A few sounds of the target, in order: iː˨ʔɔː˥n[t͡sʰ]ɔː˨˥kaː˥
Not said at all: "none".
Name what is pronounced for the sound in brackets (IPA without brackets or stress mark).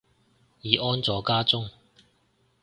t͡s